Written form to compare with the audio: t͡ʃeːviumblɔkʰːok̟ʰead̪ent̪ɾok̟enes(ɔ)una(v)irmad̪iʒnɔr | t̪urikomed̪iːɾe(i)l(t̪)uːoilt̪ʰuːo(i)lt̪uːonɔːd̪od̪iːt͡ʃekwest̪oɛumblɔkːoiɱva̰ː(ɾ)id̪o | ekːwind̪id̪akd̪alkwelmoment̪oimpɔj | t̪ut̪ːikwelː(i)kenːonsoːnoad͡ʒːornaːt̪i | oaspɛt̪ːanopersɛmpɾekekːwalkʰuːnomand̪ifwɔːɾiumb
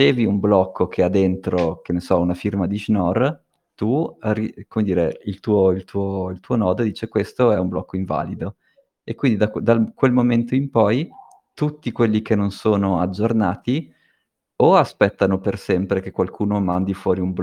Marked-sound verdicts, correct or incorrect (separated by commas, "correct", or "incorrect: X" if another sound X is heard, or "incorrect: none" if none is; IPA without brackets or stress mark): correct, incorrect: f, correct, correct, correct, incorrect: l, correct